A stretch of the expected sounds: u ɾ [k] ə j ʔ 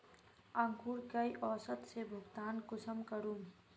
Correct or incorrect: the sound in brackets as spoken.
correct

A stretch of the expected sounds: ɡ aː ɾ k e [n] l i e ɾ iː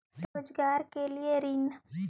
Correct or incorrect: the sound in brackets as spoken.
incorrect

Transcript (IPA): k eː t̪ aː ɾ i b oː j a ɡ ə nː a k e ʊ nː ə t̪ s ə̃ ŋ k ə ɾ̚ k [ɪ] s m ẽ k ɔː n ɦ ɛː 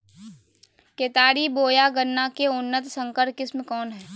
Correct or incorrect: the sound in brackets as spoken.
correct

